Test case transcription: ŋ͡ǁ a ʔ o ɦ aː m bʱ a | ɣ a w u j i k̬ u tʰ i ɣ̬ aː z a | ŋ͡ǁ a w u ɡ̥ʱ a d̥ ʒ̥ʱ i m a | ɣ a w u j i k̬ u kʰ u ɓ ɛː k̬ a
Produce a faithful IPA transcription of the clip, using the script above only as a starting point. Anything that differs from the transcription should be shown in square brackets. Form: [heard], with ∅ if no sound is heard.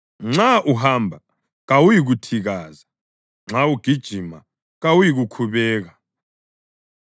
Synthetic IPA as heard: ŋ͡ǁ a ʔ [u] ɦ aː m bʱ a | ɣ a w u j i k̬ u tʰ i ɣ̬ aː z a | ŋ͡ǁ a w u ɡ̥ʱ [i] d̥ ʒ̥ʱ i m a | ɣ a w u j i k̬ u kʰ u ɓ ɛː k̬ a